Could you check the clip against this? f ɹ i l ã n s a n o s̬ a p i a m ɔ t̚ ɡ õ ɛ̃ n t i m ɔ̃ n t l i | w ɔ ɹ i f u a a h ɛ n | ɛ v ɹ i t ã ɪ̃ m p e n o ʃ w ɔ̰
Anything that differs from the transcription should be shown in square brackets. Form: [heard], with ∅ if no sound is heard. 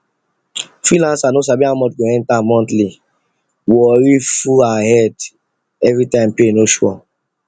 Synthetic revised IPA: f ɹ i l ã n s a n o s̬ a [b] i a m ɔ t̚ ɡ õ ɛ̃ n t [a] m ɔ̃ n t l i | w ɔ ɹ i f u a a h ɛ [d] | ɛ v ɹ i t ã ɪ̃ m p e n o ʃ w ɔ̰

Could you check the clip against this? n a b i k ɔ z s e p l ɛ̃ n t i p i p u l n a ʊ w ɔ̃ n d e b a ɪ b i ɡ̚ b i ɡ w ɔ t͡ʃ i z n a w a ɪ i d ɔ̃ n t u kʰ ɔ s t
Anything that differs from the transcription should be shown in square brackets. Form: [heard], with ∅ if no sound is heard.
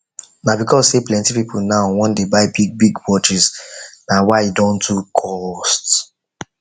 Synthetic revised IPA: n a b i k ɔ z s e p l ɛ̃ n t i p i p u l n a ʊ w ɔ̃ n d e b a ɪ b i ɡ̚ b i ɡ w ɔ t͡ʃ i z n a w a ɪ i d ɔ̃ n t u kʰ ɔ s t

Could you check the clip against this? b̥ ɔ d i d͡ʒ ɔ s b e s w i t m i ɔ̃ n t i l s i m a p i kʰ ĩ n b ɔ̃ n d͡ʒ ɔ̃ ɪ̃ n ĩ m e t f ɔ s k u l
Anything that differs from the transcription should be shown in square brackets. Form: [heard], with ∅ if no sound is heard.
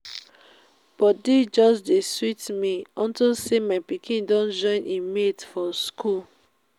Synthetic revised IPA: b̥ ɔ d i d͡ʒ ɔ s [d] e s w i t m i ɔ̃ n t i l s [e] m a p i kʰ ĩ n [d] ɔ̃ n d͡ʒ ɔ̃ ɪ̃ n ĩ m e t f ɔ s k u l

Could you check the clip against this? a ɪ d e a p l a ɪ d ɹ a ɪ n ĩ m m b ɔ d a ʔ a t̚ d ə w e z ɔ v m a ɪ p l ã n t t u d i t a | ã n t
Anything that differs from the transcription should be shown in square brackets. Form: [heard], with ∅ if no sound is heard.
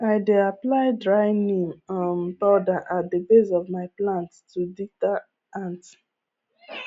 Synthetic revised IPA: a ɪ d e a p l a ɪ d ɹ a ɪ n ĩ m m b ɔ d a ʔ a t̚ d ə [b] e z ɔ v m a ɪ p l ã n t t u d i t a | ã n t

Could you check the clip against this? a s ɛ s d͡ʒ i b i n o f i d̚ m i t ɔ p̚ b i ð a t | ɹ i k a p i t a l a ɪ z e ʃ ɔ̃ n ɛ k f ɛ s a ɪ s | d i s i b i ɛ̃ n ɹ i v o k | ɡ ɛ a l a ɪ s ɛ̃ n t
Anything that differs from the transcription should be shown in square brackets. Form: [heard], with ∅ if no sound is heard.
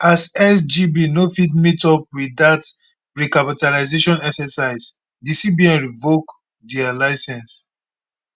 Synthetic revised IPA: a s ɛ s d͡ʒ i b i n o f i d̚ m i t ɔ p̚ [w] i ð a t | ɹ i k a p i t a l a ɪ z e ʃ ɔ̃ n ɛ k [s] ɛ s a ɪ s | d i s i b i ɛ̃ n ɹ i v o k | [d] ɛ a l a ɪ s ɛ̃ n [s]

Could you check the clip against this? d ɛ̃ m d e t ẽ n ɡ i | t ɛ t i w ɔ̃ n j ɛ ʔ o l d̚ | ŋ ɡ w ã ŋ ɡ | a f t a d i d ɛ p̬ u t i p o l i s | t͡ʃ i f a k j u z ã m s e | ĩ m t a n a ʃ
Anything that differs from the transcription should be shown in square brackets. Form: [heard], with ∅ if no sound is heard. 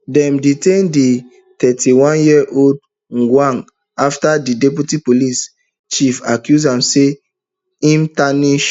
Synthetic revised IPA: d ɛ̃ m d [i] t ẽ n [d] i | t ɛ t i w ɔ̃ n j [i] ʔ o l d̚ | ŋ ɡ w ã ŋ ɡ | a f t a d i d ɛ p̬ u t i p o l i s | t͡ʃ i f a k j u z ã m s e | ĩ m t a n [i] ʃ

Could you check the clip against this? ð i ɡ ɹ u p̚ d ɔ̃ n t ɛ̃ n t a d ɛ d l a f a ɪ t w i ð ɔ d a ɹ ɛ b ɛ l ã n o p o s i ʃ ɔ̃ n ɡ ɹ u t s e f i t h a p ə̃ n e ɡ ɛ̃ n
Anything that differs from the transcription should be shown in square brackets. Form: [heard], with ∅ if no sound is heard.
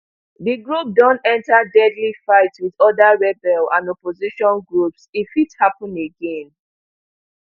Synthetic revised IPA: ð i ɡ ɹ u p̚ d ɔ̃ n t ɛ̃ n t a d ɛ d l [i] f a ɪ t w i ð ɔ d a ɹ ɛ b ɛ l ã n [ɔ] p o [z] i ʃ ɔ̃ n ɡ ɹ u [p] s [i] f i t h a p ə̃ n e ɡ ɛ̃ n

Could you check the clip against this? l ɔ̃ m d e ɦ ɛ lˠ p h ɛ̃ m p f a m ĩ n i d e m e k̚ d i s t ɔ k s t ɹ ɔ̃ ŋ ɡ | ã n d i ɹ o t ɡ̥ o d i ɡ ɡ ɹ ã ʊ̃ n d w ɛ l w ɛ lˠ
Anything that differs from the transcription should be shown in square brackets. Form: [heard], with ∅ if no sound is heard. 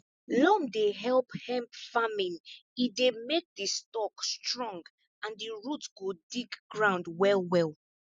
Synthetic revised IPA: l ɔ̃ m d e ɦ ɛ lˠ p h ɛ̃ m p f a m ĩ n i d e m e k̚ d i s t ɔ k s t ɹ ɔ̃ ŋ ɡ | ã n d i ɹ [u] t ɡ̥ o d i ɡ ɡ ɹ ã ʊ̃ n d w ɛ l w ɛ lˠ

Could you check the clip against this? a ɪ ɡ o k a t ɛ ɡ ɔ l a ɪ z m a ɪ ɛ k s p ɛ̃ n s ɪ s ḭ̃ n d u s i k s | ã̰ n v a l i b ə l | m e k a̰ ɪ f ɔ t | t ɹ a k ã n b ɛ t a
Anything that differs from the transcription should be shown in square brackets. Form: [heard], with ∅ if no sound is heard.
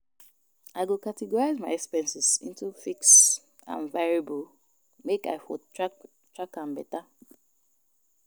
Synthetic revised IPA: a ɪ ɡ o k a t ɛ ɡ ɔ [ɹ] a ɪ z m a ɪ ɛ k s p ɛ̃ n s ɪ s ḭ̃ n [t] u [f] i k s | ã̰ n v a [ɹ] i b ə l | m e k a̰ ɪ f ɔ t | t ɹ a k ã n b ɛ t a

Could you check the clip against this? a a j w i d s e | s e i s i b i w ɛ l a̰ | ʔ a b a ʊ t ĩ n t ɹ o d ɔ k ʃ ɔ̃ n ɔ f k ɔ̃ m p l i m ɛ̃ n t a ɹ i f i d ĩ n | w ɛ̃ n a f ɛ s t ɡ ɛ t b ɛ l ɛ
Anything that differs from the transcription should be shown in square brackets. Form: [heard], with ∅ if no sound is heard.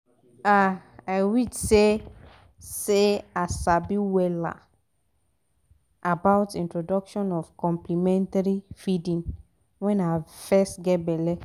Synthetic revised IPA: a a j w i d s e | s e [a] s [a] b i w ɛ l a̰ | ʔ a b a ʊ t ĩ n t ɹ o d ɔ k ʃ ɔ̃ n ɔ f k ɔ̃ m p l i m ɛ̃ n t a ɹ i f i d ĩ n | w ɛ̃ n a f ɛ s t ɡ ɛ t b ɛ l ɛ

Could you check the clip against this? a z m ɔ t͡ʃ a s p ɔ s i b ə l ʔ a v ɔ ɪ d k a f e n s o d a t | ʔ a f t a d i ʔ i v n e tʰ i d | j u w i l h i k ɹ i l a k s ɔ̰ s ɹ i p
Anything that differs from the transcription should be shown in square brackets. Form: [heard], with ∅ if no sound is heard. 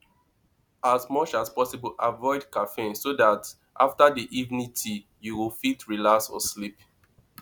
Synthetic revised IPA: a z m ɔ t͡ʃ a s p ɔ s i b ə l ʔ a v ɔ ɪ d k a f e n s o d a t | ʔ a f t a d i ʔ i v n [i] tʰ i [∅] | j u w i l [f] i [t] ɹ i l a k s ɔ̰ s [l] i p

